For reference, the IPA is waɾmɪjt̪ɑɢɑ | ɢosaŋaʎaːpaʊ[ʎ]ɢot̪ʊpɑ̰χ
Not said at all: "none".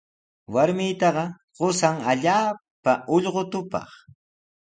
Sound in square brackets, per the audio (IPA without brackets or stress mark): ʎ